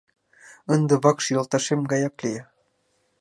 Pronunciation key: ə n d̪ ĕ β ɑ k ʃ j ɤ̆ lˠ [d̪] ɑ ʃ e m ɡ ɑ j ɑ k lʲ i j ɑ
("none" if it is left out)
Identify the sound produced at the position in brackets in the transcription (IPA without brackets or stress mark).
t̪